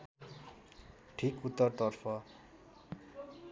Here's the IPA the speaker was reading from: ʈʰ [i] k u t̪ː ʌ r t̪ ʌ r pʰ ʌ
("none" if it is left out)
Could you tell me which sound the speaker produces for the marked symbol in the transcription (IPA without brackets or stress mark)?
i